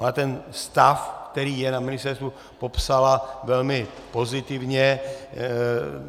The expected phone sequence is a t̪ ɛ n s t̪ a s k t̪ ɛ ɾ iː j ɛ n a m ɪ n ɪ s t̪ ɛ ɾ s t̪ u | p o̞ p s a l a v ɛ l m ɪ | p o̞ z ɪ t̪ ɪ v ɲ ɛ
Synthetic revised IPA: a t̪ ɛ n s t̪ a f k t̪ ɛ ɾ iː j ɛ n a m ɪ n ɪ s t̪ ɛ ɾ s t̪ u | p o̞ p s a l a v ɛ l m ɪ | p o̞ z ɪ t̪ ɪ v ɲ ɛ